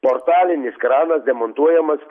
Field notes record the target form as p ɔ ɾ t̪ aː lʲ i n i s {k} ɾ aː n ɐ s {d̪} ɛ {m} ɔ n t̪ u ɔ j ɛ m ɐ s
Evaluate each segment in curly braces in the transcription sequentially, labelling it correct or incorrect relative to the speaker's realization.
correct, correct, correct

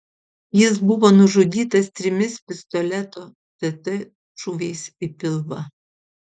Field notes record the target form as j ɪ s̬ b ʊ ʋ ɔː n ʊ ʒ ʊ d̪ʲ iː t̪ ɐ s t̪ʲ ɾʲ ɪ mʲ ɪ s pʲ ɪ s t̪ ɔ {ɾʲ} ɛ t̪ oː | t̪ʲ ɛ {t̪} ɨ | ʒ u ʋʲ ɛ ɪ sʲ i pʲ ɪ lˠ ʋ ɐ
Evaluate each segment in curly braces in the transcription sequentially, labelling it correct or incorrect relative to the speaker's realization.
incorrect, correct

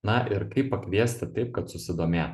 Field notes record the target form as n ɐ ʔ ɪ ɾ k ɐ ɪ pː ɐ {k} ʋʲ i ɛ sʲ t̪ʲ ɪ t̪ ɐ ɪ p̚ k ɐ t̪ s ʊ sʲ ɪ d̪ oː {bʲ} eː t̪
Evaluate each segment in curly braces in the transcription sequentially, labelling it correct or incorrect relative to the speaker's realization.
correct, incorrect

